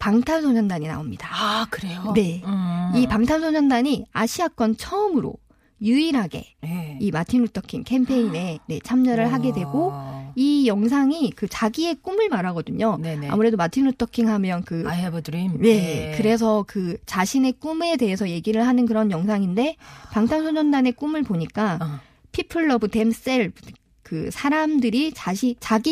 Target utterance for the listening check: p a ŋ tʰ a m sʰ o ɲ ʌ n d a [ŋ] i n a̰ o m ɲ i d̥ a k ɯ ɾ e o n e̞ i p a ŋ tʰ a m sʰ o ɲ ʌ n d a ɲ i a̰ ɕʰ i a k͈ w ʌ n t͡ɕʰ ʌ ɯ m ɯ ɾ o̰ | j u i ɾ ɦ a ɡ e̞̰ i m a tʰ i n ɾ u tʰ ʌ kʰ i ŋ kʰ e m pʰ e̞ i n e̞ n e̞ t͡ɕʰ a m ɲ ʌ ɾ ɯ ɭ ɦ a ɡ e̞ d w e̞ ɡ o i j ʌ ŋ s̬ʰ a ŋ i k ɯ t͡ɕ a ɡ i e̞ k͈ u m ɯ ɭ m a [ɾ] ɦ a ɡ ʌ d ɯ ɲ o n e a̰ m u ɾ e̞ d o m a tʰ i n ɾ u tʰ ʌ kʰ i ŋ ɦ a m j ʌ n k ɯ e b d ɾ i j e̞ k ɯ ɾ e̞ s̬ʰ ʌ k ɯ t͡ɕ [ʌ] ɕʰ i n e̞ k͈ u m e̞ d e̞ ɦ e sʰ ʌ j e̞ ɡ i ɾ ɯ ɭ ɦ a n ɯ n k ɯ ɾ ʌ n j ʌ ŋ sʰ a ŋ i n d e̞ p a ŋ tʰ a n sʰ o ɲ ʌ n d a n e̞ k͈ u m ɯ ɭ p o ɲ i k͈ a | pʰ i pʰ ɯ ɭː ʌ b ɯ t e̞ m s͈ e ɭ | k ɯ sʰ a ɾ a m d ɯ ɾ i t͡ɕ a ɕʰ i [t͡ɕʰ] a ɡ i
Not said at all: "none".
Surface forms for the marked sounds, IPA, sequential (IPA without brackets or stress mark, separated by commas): ɲ, ɾ, a, t͡ɕ